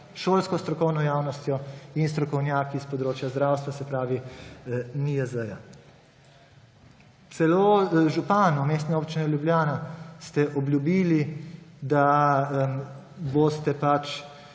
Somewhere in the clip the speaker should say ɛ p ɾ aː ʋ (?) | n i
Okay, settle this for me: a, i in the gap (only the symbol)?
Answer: i